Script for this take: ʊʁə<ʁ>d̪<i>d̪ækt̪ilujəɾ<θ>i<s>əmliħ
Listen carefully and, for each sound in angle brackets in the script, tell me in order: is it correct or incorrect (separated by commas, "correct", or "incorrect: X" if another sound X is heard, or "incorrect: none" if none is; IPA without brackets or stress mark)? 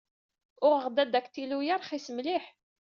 correct, incorrect: æ, incorrect: χ, correct